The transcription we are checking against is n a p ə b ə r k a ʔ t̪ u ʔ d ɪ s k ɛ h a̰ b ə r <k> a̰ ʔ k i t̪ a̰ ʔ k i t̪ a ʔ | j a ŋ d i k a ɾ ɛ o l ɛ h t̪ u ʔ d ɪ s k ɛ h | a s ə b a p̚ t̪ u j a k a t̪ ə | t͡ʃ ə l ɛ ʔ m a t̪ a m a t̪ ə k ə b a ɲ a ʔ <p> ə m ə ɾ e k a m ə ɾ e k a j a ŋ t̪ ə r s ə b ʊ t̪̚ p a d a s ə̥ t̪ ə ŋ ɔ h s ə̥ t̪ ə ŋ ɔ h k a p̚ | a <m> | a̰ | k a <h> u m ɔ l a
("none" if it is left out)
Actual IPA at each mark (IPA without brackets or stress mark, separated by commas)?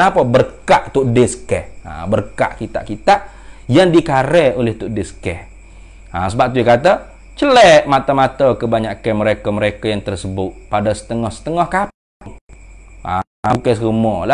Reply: k, k, ŋ, s